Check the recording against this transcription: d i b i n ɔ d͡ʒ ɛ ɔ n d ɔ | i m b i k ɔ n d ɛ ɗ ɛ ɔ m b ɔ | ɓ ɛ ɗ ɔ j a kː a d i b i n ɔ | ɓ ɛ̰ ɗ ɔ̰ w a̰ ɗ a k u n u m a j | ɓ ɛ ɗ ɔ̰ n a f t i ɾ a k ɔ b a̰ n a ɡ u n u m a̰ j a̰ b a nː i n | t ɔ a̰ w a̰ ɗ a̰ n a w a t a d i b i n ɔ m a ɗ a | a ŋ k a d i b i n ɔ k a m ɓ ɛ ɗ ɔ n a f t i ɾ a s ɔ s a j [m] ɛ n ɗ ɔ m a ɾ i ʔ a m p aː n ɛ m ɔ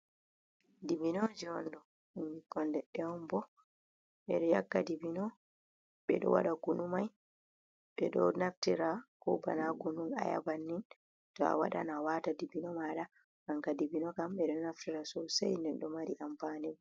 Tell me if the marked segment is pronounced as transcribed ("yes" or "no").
no